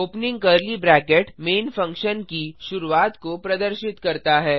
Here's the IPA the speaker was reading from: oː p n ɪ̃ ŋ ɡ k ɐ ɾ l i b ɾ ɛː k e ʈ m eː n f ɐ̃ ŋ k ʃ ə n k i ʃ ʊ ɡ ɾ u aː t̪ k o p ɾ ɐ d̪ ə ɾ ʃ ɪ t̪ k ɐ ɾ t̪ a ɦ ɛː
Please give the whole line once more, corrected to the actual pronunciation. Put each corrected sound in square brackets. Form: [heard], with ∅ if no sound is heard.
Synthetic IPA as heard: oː p n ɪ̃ ŋ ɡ k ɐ ɾ l i b ɾ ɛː k e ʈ m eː n f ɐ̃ ŋ k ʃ ə n k i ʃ ʊ [∅] ɾ u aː t̪ k o p ɾ ɐ d̪ ə ɾ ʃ ɪ t̪ k ɐ ɾ t̪ a ɦ ɛː